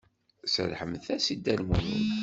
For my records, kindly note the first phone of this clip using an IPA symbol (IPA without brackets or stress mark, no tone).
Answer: s